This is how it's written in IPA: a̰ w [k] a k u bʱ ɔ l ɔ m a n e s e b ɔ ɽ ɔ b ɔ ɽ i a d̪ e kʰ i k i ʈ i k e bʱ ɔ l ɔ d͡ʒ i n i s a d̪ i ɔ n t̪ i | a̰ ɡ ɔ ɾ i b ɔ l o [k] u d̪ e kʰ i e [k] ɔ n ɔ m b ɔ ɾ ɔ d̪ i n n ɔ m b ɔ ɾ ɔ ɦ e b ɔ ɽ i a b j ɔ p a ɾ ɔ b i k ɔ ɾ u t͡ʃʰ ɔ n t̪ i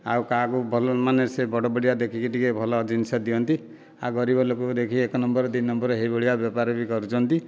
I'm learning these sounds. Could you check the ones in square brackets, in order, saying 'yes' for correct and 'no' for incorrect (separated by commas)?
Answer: yes, yes, yes